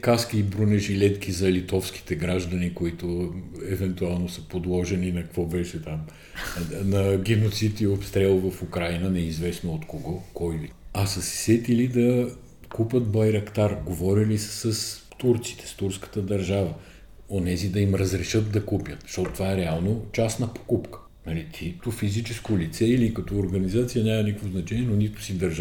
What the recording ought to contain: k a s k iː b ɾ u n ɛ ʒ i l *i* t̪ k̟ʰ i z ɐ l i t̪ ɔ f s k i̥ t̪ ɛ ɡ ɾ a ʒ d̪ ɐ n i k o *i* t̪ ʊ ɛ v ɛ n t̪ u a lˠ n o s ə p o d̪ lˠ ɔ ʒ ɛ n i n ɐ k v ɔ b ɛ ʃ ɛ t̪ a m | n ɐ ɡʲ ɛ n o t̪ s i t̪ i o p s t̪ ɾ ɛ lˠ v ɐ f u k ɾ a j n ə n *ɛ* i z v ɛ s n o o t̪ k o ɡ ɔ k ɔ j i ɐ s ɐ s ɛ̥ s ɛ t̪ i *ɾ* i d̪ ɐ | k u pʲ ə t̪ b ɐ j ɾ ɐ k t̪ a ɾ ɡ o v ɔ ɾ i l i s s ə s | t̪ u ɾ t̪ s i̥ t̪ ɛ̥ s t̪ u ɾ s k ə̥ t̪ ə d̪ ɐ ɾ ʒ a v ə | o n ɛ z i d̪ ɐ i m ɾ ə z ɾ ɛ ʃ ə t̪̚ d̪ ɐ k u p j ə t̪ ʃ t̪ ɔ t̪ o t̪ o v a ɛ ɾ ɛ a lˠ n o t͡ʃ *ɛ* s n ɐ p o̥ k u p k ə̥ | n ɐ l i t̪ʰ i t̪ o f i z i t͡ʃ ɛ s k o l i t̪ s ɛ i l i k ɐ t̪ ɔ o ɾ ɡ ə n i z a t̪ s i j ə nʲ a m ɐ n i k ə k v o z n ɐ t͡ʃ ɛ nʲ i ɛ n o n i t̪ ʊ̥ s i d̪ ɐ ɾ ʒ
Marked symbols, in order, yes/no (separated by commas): no, yes, yes, no, no